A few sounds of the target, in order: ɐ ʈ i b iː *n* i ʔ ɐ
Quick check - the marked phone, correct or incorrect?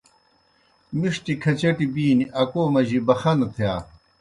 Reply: correct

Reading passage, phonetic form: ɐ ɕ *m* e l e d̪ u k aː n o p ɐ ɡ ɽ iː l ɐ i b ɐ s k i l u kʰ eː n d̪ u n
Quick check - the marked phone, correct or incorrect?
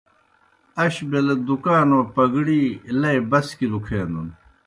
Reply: incorrect: b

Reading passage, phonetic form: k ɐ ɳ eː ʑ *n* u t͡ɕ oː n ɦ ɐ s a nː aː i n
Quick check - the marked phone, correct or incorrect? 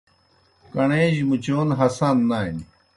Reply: incorrect: m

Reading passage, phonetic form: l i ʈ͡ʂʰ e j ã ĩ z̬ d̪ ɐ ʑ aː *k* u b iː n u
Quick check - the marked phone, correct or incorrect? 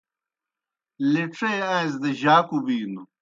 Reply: correct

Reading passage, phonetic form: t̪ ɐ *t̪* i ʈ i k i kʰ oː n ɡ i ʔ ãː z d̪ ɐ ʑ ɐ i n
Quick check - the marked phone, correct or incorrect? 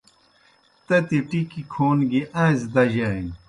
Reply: correct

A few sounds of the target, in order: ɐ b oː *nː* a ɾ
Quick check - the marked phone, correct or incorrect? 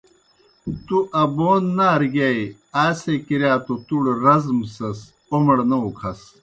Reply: correct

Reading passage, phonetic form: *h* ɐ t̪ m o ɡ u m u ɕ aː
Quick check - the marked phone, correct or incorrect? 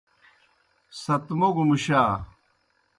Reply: incorrect: s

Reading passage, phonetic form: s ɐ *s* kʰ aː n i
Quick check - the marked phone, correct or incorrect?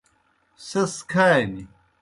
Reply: correct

